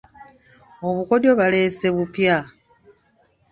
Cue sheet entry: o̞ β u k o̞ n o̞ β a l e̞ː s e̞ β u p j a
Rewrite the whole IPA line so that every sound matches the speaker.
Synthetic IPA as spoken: o̞ β u k o̞ d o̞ β a l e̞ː s e̞ β u p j a